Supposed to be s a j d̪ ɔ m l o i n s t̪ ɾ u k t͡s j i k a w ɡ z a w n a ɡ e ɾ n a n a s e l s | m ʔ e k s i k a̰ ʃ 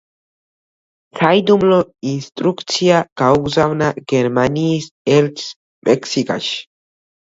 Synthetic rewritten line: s a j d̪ u m l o i n s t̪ ɾ u k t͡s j a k a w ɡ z a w n a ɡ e ɾ m a n i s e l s | m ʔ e k s i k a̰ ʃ